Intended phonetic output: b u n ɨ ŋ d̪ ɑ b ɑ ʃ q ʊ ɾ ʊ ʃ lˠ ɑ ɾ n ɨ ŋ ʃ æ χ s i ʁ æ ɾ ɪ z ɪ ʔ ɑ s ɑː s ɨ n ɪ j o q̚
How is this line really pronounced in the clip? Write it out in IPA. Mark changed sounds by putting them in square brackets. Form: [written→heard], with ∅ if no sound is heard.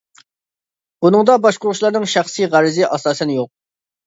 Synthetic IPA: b u n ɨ ŋ d̪ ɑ b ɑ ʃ q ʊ ɾ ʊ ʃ lˠ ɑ ɾ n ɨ ŋ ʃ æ χ s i ʁ æ ɾ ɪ z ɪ ʔ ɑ s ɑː s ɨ n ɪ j o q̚